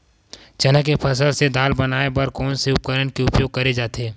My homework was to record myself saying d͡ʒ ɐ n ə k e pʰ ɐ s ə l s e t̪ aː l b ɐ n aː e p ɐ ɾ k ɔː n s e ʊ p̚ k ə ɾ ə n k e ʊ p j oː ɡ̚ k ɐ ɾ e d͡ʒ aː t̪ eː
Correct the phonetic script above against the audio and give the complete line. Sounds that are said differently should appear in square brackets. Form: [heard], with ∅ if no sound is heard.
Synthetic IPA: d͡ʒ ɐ n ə k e pʰ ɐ s ə l s e [d̪] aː l b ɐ n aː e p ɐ ɾ k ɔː n s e ʊ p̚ k ə ɾ ə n k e ʊ p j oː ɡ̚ k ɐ ɾ e d͡ʒ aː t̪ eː